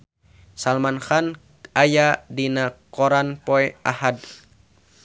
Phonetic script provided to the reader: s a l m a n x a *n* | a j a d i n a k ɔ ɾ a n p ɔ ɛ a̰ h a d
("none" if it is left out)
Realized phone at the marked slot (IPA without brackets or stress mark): n